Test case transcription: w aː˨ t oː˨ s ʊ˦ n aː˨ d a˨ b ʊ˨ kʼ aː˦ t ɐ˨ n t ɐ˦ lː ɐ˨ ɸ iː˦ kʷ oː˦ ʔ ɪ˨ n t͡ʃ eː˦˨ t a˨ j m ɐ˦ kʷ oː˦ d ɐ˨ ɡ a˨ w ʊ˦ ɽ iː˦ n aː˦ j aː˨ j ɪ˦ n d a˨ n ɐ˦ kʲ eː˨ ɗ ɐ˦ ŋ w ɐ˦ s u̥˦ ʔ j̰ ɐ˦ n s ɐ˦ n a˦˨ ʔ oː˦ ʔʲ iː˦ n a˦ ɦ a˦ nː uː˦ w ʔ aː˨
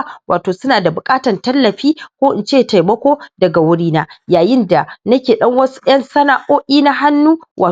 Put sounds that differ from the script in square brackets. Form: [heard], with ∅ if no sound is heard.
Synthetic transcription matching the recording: w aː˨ t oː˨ s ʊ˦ n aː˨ d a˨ b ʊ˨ kʼ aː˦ t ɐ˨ n t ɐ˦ lː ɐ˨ ɸ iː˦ kʷ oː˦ ʔ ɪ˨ n t͡ʃ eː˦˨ t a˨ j m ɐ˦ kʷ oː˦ d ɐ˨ ɡ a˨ w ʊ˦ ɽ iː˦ n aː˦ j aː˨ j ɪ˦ n d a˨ n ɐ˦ kʲ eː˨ ɗ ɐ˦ ŋ w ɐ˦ s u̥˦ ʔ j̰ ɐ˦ n s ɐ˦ n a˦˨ ʔ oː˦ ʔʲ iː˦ n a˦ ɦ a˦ nː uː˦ w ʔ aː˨